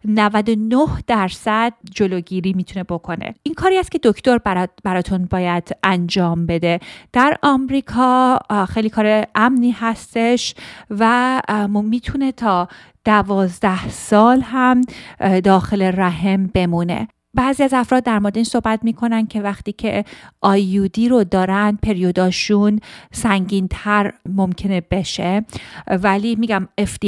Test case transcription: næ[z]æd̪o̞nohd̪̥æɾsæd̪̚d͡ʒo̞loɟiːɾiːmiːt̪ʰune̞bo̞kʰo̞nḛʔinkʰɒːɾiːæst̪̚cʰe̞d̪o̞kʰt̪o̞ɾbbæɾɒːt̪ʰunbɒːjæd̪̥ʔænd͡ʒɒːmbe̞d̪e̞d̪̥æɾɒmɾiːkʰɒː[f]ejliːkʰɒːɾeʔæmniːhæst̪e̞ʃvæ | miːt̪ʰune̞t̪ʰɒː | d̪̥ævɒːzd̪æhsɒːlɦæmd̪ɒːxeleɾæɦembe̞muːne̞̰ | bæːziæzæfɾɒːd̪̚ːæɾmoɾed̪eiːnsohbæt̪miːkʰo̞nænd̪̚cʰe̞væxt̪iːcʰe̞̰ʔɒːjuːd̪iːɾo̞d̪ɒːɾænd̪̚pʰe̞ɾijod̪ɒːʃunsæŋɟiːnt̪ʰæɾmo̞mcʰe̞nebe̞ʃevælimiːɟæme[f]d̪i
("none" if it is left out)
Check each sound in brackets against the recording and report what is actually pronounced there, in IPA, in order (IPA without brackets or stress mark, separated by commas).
v, x, f